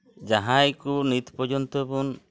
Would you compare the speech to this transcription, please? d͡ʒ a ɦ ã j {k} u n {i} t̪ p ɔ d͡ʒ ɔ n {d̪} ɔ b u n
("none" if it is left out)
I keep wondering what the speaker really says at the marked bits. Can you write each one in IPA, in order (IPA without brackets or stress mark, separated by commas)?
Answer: k, i, t̪